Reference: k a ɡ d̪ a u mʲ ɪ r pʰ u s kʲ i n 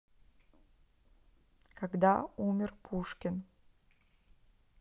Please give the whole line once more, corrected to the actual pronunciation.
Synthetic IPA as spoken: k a ɡ d̪ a u mʲ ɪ r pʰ u ʂ kʲ ɪ n